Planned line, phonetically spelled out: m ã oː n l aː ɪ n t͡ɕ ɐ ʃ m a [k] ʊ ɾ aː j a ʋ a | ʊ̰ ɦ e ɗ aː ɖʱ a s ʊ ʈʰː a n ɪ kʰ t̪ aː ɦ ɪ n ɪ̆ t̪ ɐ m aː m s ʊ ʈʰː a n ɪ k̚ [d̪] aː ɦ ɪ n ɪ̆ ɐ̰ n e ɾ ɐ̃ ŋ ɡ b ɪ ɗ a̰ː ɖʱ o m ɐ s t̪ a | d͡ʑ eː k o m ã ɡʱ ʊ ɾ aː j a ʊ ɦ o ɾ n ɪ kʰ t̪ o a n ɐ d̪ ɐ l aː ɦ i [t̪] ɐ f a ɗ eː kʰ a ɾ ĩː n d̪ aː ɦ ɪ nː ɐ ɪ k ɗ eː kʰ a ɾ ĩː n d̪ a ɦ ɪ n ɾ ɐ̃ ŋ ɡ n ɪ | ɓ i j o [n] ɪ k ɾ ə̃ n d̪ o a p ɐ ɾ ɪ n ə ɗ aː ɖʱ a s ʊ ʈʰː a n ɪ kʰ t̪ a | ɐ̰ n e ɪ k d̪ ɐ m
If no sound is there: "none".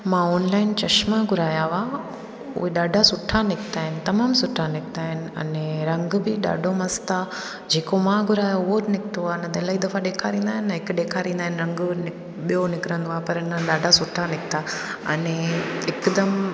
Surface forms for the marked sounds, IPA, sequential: ɡ, t̪, d̪, n

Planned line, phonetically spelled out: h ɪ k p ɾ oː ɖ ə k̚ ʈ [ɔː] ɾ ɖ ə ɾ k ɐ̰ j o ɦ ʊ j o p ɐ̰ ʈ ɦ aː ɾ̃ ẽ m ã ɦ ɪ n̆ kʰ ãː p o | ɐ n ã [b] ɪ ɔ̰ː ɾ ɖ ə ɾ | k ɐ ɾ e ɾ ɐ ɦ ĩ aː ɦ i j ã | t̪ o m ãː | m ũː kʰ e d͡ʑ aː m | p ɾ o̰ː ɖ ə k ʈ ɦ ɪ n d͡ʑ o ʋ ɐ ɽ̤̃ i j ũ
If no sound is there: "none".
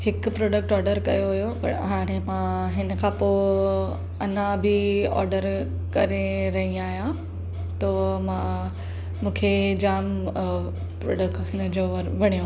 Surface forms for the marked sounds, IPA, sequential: ɔː, b

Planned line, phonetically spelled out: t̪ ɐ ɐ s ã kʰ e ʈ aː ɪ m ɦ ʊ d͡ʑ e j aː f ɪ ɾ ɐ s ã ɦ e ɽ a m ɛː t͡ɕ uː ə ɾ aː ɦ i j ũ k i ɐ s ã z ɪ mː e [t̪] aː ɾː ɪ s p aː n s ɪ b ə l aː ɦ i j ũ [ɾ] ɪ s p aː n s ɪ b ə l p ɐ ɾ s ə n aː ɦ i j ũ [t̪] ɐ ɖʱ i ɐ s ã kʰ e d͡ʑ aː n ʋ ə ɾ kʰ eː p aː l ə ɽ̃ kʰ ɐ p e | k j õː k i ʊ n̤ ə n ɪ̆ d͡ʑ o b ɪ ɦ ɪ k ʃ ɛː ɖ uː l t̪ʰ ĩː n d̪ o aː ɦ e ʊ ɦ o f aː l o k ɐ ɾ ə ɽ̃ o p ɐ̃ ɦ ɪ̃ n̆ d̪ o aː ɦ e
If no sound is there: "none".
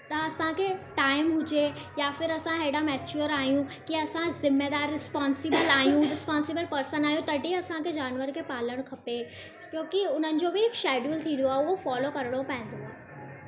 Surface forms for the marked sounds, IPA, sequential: d̪, ɾ, t̪

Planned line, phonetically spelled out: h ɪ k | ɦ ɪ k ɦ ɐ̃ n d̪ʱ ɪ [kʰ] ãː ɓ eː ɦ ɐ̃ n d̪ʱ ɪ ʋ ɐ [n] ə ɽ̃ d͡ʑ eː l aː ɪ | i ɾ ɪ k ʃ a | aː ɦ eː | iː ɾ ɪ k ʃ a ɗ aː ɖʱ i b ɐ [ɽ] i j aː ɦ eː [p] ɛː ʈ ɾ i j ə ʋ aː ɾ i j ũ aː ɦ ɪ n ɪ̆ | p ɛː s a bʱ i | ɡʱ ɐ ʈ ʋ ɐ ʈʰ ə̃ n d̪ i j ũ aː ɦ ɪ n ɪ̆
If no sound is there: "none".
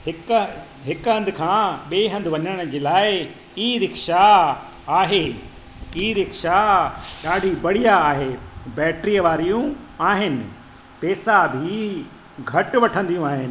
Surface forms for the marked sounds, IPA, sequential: kʰ, ɲ, ɽ, b

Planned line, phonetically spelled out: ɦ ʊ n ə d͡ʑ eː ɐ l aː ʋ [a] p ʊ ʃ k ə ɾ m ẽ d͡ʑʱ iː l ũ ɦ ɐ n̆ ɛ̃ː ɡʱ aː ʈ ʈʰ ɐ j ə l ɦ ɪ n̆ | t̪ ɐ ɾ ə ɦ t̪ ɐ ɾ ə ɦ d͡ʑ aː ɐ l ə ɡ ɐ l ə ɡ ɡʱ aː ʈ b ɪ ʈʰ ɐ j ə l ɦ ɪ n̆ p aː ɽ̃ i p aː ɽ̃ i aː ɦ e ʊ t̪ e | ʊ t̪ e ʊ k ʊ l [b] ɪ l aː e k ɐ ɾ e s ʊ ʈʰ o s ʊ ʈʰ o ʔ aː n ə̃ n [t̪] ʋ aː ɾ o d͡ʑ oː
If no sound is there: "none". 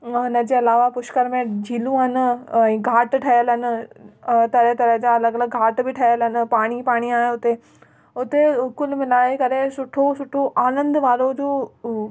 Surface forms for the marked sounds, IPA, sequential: a, m, d̪

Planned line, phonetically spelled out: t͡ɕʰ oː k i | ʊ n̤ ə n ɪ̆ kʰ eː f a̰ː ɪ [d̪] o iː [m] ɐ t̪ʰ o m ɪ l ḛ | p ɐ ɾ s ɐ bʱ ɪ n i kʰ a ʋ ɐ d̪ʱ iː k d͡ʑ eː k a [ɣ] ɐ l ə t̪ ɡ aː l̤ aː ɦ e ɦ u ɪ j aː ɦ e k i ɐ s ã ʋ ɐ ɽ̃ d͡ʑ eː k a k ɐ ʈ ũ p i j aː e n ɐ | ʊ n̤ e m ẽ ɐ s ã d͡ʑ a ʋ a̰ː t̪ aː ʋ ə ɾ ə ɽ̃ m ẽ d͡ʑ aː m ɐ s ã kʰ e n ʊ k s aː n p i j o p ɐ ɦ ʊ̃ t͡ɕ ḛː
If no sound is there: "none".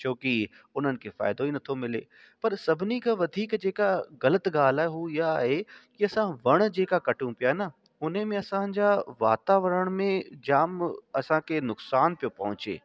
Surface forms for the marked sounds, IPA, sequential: d̪, n, ɣ

